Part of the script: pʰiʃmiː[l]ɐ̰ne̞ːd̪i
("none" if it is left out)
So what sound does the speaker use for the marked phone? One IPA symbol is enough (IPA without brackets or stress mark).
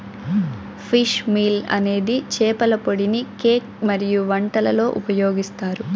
l